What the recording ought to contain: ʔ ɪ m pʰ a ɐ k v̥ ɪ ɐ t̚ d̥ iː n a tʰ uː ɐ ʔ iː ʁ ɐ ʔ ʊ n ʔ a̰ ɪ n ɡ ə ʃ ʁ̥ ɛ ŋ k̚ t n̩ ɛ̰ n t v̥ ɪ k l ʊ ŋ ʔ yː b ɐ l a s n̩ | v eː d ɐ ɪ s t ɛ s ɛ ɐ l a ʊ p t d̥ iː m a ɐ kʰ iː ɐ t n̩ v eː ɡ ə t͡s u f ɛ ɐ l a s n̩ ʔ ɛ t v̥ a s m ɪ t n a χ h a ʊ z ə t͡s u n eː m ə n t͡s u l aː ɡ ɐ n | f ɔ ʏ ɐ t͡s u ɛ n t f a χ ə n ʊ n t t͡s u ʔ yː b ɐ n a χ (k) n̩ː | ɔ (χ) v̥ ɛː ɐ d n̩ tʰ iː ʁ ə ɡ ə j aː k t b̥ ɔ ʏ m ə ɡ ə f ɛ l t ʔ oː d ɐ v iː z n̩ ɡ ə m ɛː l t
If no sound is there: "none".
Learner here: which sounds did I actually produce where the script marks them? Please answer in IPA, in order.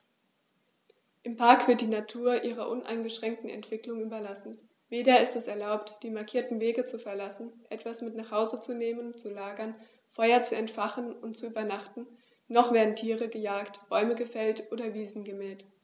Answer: t, χ

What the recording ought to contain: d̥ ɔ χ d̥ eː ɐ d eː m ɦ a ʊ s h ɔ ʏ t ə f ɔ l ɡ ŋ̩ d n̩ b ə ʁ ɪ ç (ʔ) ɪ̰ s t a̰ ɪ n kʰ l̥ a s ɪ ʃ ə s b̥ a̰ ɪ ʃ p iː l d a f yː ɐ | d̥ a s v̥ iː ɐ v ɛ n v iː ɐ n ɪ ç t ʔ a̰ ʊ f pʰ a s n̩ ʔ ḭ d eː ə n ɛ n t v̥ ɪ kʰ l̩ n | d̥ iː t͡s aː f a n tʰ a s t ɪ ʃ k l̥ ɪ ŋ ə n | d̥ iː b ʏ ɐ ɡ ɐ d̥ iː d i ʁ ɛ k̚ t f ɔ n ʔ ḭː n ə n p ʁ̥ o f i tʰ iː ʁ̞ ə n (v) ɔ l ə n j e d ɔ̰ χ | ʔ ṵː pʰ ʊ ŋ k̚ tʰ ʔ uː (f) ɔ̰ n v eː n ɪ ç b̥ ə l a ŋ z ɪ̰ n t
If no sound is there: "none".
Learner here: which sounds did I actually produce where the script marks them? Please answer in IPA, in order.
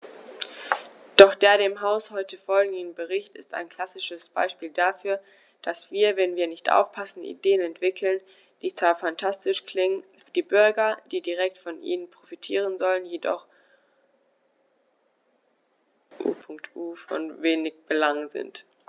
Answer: t, z, f

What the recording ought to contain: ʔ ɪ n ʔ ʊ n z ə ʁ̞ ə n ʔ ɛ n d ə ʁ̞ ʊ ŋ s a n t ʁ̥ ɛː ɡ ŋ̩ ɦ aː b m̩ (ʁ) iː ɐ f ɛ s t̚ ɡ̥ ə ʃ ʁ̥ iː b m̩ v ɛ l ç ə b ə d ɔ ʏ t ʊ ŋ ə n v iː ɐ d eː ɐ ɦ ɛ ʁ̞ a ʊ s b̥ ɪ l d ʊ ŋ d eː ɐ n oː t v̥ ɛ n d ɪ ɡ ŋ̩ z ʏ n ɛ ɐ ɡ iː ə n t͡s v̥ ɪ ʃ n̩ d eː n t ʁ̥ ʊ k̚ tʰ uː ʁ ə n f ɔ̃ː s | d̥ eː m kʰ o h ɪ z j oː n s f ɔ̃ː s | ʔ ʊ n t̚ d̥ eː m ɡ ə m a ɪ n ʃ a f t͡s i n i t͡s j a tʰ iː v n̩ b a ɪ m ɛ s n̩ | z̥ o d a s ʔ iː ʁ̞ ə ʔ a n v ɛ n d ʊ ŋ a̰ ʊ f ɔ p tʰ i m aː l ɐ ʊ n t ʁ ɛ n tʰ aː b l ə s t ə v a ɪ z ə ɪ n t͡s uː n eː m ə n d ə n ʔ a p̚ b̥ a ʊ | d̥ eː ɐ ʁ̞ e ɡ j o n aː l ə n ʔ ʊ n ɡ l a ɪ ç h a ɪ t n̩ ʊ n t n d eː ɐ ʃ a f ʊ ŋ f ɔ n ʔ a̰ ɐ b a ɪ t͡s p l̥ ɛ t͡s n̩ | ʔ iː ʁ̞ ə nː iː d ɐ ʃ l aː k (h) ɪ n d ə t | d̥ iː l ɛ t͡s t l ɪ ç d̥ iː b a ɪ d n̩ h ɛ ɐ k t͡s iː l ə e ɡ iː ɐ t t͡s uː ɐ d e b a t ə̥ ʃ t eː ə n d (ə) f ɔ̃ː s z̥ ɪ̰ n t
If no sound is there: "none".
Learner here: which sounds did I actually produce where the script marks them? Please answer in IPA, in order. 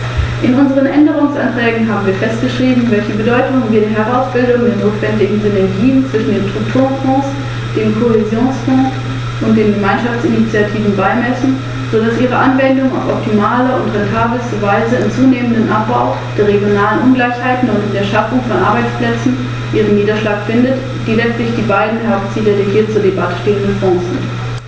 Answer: v, f, ə

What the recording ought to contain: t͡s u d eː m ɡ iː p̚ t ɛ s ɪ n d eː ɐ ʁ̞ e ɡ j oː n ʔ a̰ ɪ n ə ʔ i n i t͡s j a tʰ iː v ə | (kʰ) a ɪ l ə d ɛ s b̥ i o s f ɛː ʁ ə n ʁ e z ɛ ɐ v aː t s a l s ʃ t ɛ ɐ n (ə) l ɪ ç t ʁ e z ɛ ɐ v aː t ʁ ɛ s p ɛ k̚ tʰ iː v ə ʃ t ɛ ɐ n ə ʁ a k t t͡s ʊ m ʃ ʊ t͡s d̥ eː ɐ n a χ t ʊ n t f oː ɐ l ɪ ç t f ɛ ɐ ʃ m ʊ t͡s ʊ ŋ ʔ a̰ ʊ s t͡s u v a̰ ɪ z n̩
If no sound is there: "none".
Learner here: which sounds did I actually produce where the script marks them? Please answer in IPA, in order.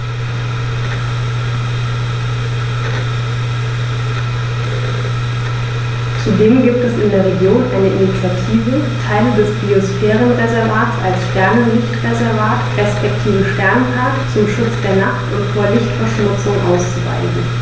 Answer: tʰ, ə

